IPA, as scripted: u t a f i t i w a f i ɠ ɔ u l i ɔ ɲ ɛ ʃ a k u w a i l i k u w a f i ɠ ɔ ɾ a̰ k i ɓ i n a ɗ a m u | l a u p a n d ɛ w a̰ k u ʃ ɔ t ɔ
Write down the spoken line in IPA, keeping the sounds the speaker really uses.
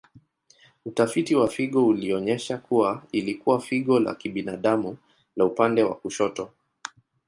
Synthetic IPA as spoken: u t a f i t i w a f i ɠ ɔ u l i ɔ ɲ ɛ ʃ a k u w a i l i k u w a f i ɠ ɔ l a̰ k i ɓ i n a ɗ a m u | l a u p a n d ɛ w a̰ k u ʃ ɔ t ɔ

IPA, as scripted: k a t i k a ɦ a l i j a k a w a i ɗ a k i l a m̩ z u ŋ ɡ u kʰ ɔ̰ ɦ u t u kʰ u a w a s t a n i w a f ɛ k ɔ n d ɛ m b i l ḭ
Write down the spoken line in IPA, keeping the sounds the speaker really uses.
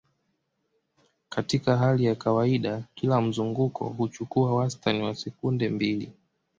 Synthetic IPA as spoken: k a t i k a ɦ a l i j a k a w a i ɗ a k i l a m̩ z u ŋ ɡ u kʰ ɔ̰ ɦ u t͡ʃ u k u a w a s t a n i w a s ɛ k u n d ɛ m b i l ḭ

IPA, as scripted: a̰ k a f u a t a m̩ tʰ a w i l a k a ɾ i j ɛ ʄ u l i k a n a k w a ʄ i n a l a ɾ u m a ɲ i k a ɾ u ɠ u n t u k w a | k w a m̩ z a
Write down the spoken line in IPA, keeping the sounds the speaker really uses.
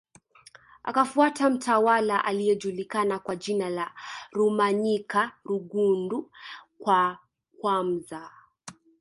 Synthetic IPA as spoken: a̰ k a f u a t a m̩ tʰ a w a l a ʔ a l i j ɛ ʄ u l i k a n a k w a ʄ i n a l a ɾ u m a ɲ i k a ɾ u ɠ u n d u k w a | k w a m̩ z a

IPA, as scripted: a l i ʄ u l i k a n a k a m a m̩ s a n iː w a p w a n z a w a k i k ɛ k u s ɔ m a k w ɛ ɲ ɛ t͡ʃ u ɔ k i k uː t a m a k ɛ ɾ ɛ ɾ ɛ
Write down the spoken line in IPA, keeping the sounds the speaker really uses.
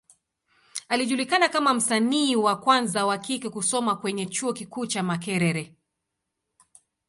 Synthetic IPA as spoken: a l i ʄ u l i k a n a k a m a m̩ s a n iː w a k w a n z a w a k i k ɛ k u s ɔ m a k w ɛ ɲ ɛ t͡ʃ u ɔ k i k uː t͡ʃ a m a k ɛ ɾ ɛ ɾ ɛ

